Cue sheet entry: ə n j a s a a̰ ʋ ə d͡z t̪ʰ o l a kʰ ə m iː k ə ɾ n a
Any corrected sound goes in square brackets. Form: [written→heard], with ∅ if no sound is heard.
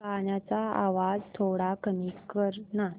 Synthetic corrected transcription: [ə→a] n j a [s→t͡s] a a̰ ʋ [ə→a] d͡z t̪ʰ o [l→ɽ] a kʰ ə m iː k ə ɾ n a